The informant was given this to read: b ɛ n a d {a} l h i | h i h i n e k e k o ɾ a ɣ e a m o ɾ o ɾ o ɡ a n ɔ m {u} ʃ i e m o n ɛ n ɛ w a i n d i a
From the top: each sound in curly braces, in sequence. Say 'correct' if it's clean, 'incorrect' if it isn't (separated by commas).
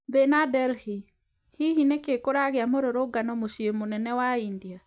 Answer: incorrect, incorrect